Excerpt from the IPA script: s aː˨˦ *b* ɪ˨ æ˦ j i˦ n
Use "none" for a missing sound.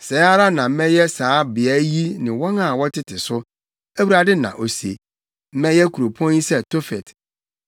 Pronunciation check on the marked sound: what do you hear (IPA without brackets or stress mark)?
b